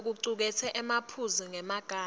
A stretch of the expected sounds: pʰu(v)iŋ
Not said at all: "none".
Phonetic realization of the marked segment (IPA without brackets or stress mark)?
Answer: z